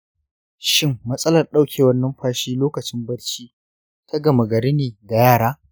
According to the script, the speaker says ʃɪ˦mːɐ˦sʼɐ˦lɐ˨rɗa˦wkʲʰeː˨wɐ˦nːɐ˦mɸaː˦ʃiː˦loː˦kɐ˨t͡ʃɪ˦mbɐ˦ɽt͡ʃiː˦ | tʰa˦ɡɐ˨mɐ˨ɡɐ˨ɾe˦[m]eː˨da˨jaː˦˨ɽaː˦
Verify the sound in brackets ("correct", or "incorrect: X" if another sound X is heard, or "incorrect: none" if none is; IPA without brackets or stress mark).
incorrect: n